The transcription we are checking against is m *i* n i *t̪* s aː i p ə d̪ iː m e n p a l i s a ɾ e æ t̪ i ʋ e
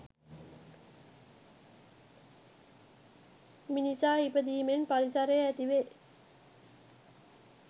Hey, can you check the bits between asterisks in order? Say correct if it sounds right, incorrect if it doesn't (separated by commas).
correct, incorrect